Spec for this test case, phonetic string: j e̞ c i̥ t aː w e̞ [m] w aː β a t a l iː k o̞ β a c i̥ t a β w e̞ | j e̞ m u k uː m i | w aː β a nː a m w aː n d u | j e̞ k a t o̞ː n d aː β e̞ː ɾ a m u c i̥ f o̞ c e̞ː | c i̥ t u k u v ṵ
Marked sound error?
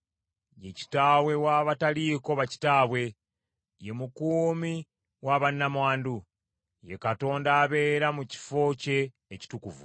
yes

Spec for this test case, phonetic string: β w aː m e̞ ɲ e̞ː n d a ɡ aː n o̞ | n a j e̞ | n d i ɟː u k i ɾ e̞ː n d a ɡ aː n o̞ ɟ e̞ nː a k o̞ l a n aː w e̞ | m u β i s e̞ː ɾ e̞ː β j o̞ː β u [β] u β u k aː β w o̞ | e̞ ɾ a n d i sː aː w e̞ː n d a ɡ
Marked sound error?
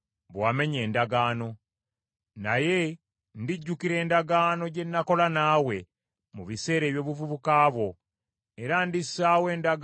yes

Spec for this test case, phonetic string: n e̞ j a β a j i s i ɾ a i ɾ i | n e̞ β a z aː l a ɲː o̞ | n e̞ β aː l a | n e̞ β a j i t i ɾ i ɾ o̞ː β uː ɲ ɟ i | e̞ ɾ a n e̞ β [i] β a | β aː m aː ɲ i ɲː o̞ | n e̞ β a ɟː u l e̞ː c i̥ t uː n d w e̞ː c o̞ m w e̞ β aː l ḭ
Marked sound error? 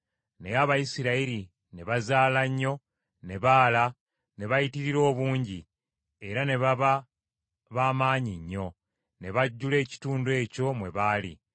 yes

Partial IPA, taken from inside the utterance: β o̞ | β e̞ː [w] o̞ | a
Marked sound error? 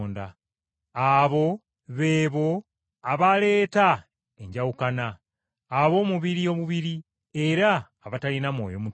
yes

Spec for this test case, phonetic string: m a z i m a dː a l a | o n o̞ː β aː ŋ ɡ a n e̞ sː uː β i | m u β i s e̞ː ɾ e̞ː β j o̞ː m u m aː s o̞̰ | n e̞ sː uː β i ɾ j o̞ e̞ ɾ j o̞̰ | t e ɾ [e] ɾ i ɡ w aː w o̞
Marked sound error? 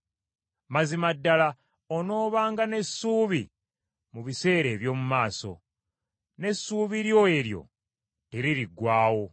yes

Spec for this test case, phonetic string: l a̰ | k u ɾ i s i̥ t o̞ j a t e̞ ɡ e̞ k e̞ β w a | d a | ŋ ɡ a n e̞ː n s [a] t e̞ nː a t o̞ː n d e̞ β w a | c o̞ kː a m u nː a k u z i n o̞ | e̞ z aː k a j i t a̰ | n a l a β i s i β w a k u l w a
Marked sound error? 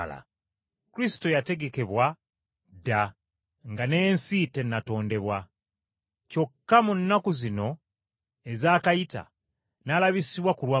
yes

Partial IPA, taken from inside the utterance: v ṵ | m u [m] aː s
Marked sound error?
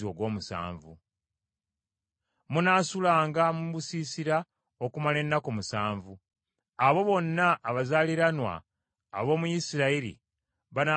yes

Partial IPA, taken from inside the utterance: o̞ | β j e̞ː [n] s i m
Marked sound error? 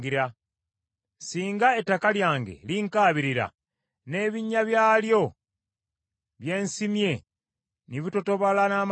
no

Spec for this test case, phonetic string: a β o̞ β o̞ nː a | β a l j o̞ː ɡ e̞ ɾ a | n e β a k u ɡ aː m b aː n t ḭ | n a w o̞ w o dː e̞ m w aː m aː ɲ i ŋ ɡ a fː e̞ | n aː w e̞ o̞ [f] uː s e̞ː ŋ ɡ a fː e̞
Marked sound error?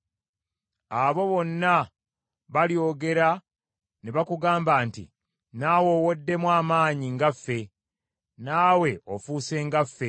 no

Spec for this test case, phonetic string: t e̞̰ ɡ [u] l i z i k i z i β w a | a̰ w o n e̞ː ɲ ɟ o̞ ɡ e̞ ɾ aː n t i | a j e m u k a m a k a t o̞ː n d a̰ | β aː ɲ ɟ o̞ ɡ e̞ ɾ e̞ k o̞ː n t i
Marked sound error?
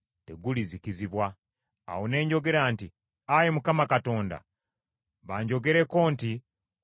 no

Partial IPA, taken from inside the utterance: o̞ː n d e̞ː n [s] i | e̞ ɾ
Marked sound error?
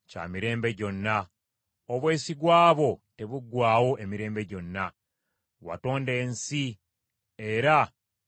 no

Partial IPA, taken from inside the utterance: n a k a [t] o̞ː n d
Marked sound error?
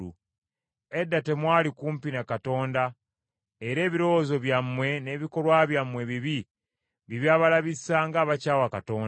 no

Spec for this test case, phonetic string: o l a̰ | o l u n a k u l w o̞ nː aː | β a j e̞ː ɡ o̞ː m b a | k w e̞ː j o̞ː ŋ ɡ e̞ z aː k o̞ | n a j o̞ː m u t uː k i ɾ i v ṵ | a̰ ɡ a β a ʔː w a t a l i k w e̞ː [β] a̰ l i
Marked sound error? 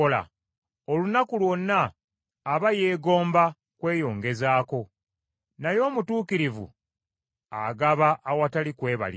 no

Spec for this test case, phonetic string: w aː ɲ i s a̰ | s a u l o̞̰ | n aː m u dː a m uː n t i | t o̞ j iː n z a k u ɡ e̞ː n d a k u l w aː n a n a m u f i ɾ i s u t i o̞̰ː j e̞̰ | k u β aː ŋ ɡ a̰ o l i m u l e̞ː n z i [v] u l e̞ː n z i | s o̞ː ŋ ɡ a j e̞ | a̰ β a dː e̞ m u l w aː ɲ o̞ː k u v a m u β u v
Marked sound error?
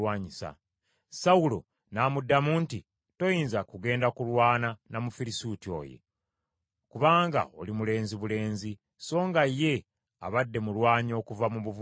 yes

